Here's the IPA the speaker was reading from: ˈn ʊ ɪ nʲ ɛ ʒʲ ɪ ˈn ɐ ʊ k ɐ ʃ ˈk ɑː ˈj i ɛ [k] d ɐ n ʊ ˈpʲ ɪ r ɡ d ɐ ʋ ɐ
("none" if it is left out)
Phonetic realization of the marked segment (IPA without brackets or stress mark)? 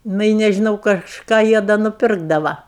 none